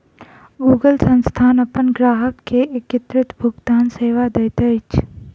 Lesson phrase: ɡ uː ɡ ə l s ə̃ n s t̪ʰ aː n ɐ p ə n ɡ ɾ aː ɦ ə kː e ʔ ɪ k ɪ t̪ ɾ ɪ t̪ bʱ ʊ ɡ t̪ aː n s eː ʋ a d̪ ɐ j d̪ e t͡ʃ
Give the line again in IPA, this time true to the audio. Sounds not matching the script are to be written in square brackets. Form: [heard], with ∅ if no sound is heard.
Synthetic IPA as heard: ɡ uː ɡ ə l s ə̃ n s t̪ʰ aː n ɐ p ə n ɡ ɾ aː ɦ ə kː e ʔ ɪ k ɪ t̪ ɾ ɪ t̪ bʱ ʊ ɡ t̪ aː n s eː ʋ a d̪ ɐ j [t̪] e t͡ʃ